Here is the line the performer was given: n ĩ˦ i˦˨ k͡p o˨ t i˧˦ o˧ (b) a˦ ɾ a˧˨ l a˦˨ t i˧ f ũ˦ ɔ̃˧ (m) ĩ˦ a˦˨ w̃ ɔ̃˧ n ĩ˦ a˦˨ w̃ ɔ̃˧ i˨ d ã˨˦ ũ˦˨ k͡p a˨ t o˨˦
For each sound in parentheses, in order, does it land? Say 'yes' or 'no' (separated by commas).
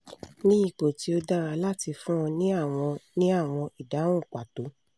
no, no